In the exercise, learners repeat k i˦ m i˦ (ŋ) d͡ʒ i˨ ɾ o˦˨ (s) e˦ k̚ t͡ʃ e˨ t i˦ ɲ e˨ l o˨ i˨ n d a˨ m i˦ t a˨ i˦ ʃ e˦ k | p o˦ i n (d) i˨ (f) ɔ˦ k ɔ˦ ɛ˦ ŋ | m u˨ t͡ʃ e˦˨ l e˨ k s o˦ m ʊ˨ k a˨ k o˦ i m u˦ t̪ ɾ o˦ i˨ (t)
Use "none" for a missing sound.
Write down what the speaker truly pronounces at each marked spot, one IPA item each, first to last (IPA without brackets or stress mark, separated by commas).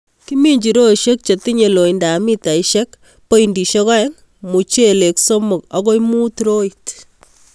ɲ, ʃ, d, ʃ, t